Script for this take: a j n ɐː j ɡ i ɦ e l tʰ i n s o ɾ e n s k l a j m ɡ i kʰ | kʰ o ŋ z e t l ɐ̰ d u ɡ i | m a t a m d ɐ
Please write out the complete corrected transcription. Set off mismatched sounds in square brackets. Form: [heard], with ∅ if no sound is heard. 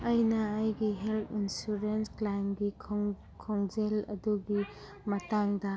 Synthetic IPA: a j n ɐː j ɡ i ɦ e l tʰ i n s [u] ɾ e n s k l a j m ɡ i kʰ | kʰ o ŋ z e [∅] l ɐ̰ d u ɡ i | m [ɐ] t a [ŋ] d ɐ